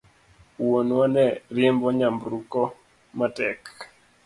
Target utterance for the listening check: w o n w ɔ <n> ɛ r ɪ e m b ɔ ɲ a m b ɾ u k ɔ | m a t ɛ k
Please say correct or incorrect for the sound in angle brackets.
correct